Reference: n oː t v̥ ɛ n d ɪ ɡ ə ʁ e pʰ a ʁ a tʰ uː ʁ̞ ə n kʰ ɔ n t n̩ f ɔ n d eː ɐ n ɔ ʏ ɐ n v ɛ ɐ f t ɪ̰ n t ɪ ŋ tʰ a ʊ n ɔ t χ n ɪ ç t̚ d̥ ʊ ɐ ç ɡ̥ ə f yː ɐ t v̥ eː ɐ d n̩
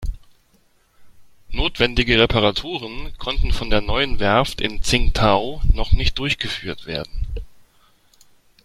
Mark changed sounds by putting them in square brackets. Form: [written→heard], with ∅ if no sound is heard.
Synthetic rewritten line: n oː t v̥ ɛ n d ɪ ɡ ə ʁ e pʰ a ʁ a tʰ uː ʁ̞ ə n kʰ ɔ n t n̩ f ɔ n d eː ɐ n ɔ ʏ [ɐ→ə] n v ɛ ɐ f t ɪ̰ n [t→t͡s] ɪ ŋ tʰ a ʊ n ɔ [t→∅] χ n ɪ ç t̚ d̥ ʊ ɐ ç ɡ̥ ə f yː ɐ t v̥ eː ɐ d n̩